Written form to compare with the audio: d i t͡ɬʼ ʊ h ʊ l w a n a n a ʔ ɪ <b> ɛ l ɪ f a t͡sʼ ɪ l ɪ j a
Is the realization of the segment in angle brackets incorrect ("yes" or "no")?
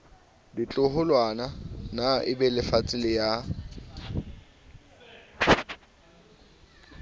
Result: no